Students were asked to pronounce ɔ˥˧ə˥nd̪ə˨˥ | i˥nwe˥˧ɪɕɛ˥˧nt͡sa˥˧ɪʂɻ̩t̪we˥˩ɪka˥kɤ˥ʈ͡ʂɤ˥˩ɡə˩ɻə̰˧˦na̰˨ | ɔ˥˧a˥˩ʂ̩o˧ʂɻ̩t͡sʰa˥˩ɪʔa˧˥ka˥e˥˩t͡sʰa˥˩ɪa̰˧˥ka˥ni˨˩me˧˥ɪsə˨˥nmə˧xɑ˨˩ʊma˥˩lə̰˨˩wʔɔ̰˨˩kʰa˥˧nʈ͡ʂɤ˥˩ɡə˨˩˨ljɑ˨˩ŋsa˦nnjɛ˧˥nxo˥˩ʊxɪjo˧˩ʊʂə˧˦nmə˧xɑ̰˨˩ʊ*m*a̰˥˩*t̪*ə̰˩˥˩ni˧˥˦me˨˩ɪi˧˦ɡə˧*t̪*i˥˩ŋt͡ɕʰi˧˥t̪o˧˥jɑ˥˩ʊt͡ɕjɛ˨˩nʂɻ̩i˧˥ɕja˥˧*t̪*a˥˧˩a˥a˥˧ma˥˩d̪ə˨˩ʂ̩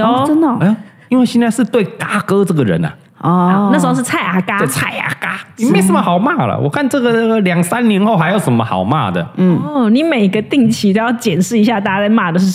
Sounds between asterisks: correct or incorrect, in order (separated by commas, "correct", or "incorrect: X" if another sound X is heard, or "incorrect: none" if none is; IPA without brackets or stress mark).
correct, incorrect: d̪, correct, correct